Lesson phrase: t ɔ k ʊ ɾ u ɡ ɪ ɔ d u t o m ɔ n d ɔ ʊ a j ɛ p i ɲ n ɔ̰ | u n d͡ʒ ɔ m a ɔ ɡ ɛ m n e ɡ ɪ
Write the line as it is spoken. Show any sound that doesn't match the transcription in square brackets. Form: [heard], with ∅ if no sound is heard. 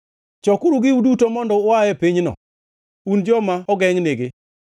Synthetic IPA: [t͡ʃ] ɔ k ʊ ɾ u ɡ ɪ [u] d u t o m ɔ n d ɔ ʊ a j ɛ p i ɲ n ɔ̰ | u n d͡ʒ ɔ m a ɔ ɡ ɛ [ŋ] n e ɡ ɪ